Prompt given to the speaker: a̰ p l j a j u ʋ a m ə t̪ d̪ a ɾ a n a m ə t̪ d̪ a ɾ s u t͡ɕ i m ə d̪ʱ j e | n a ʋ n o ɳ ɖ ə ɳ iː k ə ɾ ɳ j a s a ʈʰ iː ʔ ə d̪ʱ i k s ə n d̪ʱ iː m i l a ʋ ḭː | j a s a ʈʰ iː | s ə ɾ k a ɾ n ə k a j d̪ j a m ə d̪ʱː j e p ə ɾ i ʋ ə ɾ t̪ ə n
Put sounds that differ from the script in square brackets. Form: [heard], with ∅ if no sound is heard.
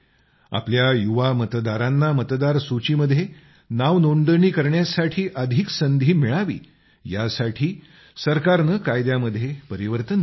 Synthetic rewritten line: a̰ p l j a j u ʋ a m ə t̪ d̪ a ɾ a [nː] a m ə t̪ d̪ a ɾ s u t͡ɕ i m ə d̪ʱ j e | n a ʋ n o ɳ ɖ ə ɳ iː k ə ɾ ɳ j a s a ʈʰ iː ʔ ə d̪ʱ i k s ə n d̪ʱ iː m i [ɭ] a ʋ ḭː | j a s a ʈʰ iː | s ə ɾ k a ɾ n ə k a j d̪ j a m ə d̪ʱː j e p ə ɾ i ʋ ə ɾ t̪ ə n